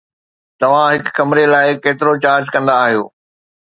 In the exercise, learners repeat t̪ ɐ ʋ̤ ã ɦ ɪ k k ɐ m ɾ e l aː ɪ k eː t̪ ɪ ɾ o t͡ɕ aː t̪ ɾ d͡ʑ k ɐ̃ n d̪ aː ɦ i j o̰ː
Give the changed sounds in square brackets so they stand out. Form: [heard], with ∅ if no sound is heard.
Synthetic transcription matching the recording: t̪ ɐ ʋ̤ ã ɦ ɪ k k ɐ m ɾ e l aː ɪ k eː t̪ ɪ ɾ o t͡ɕ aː [∅] ɾ d͡ʑ k ɐ̃ n d̪ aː ɦ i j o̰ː